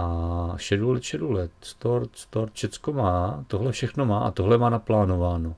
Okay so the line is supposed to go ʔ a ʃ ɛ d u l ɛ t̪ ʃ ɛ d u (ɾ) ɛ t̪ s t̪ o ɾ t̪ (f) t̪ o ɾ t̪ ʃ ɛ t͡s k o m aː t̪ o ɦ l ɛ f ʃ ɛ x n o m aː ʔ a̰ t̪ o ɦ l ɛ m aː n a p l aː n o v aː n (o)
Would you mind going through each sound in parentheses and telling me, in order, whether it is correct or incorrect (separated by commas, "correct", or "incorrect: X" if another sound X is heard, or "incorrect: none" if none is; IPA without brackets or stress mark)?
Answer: incorrect: l, incorrect: s, correct